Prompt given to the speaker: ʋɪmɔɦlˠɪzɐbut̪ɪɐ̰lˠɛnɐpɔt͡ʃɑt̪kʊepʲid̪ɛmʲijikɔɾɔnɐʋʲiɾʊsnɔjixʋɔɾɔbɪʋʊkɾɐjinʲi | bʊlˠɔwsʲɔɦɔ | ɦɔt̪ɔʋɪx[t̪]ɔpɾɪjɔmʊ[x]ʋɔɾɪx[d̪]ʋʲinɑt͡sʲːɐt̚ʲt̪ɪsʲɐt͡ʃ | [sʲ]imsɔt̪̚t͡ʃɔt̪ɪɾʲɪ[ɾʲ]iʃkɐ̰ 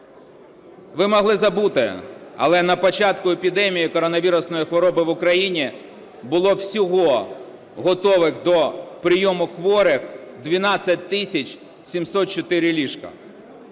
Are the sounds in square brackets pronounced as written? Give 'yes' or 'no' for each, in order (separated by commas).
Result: no, yes, yes, yes, no